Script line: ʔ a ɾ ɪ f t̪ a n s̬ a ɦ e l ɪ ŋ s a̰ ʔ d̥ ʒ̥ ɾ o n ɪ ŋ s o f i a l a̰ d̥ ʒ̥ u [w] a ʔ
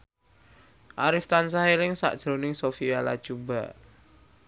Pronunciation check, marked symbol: incorrect: b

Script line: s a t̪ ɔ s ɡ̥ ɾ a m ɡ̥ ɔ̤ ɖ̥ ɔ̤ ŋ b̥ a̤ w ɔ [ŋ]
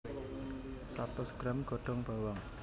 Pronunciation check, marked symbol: correct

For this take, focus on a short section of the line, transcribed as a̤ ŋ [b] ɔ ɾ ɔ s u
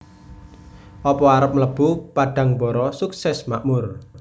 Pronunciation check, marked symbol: correct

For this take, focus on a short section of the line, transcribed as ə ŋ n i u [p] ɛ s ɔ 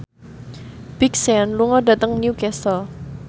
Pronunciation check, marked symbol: incorrect: k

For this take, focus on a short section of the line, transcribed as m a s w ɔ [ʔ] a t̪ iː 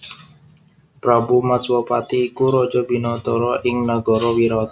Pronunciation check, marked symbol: incorrect: p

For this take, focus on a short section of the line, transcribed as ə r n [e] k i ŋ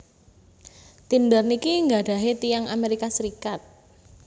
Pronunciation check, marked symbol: incorrect: i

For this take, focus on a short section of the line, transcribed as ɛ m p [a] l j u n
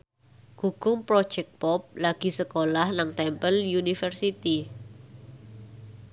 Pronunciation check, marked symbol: incorrect: ə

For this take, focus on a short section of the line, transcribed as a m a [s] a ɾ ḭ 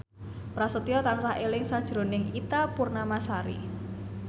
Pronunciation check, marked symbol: correct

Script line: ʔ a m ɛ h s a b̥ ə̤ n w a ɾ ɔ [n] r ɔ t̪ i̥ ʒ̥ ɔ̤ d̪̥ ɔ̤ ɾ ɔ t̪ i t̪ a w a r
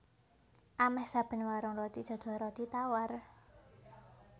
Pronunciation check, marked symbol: incorrect: ŋ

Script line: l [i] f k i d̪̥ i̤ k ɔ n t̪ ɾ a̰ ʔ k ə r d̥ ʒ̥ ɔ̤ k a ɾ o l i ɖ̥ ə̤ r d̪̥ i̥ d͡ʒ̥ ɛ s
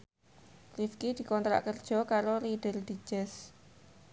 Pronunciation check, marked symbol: correct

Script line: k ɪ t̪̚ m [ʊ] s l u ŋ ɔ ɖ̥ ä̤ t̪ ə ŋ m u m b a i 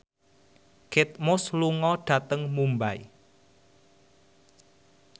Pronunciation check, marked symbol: correct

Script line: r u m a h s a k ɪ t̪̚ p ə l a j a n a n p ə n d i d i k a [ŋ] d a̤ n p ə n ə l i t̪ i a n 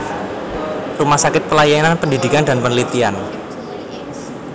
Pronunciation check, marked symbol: incorrect: n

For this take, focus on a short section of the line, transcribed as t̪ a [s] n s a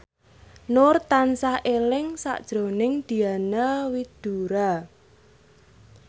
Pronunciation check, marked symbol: incorrect: none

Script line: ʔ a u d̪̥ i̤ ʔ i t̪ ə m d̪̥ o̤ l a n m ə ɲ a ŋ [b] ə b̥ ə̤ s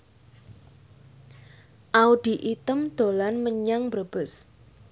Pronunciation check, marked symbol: correct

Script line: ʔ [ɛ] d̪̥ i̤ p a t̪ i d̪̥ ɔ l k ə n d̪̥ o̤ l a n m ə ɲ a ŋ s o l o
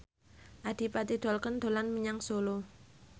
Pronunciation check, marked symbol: incorrect: a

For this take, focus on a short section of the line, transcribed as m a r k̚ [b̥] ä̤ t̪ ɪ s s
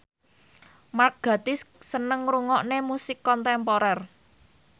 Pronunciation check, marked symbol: incorrect: ɡ̥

